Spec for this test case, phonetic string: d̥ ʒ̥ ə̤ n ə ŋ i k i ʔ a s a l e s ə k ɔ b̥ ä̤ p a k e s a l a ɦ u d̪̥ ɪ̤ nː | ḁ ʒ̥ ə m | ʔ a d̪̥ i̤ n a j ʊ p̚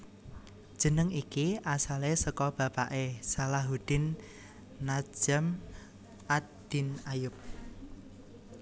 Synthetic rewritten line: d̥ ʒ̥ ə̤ n ə ŋ i k i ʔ a s a l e s ə k ɔ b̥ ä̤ p a ʔ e s a l a ɦ u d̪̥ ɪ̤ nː | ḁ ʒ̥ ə m | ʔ a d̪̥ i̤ n a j ʊ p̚